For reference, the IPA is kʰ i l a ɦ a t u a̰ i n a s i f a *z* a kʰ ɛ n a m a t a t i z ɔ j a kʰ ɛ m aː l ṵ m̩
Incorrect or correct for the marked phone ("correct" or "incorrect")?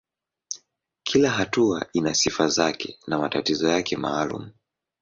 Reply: correct